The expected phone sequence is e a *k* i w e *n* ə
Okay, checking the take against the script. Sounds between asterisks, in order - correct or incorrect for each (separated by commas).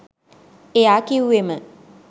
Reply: correct, incorrect